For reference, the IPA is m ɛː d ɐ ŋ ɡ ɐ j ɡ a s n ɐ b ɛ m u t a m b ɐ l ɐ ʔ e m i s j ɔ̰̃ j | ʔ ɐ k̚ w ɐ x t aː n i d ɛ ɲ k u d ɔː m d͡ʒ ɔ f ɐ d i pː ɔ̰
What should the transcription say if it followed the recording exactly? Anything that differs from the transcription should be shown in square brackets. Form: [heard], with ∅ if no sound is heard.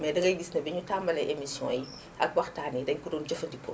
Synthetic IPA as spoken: m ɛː d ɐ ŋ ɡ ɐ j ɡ [i] s n ɐ b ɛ [ɲ] u t a m b ɐ l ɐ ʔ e m i s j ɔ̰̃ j | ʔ ɐ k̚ w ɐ x t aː n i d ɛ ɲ k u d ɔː [n] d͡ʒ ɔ f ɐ d i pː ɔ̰